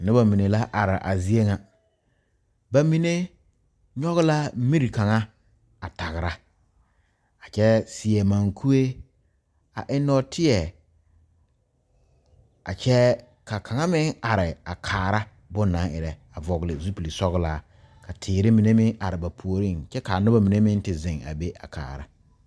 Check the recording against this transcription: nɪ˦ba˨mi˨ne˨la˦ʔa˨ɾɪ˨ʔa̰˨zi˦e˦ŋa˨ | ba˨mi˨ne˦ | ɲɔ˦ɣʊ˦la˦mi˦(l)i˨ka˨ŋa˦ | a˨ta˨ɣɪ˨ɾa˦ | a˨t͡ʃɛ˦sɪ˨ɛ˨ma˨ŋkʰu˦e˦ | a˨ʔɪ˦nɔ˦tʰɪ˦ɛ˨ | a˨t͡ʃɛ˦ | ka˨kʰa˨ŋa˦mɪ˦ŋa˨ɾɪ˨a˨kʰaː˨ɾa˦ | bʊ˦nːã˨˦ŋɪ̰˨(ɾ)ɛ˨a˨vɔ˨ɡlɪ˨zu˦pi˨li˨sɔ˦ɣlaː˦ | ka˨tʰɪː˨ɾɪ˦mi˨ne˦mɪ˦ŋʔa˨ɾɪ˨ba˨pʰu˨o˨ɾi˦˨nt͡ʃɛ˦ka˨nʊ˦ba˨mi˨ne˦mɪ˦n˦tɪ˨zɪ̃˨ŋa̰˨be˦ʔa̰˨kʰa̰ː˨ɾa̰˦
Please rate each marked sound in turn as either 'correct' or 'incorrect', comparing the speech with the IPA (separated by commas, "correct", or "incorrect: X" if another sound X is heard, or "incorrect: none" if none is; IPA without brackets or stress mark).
incorrect: ɾ, correct